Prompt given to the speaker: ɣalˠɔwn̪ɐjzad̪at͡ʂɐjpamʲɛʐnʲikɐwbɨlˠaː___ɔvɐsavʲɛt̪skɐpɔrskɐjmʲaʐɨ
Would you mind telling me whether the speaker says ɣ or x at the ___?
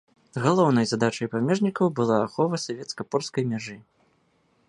x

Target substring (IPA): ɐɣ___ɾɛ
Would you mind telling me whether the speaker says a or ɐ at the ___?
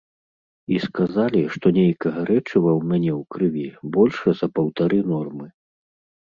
ɐ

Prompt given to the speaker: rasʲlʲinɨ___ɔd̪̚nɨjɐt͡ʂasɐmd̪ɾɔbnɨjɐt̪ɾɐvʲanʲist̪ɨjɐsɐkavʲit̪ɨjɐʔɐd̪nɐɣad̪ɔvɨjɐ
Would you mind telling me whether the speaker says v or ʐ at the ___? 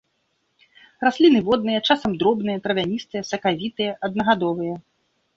v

